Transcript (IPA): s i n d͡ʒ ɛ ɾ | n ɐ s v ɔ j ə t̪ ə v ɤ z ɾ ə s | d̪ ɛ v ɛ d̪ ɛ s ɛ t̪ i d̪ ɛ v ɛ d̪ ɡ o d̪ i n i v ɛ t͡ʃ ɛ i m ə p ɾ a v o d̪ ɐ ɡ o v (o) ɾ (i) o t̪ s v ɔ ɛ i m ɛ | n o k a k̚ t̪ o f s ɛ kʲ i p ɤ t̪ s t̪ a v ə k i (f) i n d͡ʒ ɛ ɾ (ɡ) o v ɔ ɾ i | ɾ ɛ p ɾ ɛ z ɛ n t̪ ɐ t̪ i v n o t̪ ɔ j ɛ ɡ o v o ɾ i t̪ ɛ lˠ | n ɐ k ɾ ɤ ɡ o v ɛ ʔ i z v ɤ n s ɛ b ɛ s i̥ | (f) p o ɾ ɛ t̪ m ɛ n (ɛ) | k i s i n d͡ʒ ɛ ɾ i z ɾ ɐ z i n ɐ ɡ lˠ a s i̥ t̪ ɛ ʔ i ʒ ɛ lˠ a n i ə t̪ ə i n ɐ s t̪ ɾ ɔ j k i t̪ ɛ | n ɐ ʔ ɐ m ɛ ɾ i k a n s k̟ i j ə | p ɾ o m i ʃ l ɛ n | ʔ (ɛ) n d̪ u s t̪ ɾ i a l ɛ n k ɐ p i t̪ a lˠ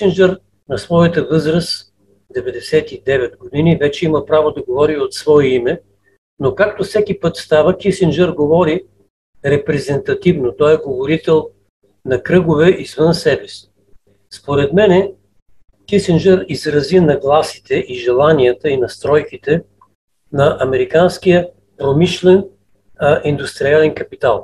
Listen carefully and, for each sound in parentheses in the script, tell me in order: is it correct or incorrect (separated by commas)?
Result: incorrect, correct, incorrect, correct, incorrect, correct, incorrect